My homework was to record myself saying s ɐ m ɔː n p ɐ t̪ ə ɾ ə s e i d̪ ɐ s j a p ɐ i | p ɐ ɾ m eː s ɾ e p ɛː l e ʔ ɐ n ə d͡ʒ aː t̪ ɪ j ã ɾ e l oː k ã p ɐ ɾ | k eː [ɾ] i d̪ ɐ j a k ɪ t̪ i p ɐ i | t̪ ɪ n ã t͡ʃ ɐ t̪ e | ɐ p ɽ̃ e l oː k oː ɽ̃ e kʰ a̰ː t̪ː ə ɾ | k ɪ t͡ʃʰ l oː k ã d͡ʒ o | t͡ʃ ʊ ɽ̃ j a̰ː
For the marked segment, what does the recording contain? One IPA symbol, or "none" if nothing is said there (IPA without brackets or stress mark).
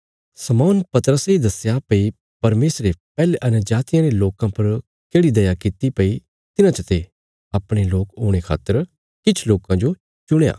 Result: ɽ